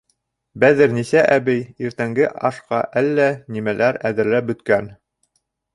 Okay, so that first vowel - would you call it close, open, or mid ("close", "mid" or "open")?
open